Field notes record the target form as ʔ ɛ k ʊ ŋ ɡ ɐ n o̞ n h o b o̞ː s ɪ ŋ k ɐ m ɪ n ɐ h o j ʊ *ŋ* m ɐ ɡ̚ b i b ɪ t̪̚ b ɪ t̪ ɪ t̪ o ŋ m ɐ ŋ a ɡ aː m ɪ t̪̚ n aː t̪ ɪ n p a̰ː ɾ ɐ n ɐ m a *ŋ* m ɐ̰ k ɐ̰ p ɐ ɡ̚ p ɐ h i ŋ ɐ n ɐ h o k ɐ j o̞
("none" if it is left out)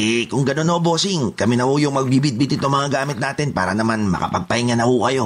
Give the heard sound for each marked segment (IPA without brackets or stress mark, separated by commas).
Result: ŋ, n